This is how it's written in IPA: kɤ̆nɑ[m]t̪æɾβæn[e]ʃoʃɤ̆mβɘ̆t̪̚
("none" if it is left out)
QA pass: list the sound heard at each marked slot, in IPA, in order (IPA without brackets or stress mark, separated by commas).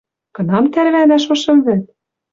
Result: m, æ